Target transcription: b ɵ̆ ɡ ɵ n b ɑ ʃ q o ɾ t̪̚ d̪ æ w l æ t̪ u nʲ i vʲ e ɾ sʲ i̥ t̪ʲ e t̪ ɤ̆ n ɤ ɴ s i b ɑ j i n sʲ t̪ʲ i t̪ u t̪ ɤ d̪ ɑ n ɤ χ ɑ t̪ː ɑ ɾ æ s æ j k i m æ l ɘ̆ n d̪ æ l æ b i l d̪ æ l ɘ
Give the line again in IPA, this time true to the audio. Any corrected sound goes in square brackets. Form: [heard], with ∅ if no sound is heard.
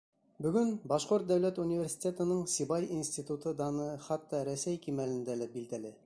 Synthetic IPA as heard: b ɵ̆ ɡ ɵ n b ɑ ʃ q o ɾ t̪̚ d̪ æ w l æ t̪ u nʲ i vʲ e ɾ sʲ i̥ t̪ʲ e t̪ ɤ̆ n ɤ ɴ s i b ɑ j i n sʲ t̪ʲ i t̪ u t̪ ɤ d̪ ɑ n ɤ χ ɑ t̪ː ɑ ɾ æ s æ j k i m æ l ɘ̆ n d̪ æ l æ b i l d̪ æ l ɘ